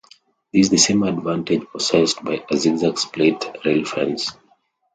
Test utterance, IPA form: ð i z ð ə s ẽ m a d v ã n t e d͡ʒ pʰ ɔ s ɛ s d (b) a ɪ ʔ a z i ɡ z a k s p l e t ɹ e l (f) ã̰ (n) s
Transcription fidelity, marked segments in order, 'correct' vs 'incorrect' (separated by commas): correct, correct, correct